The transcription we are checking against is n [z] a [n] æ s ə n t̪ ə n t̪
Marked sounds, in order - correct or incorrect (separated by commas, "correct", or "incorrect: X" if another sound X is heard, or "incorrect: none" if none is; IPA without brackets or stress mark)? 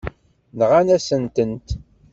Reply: incorrect: ʁ, correct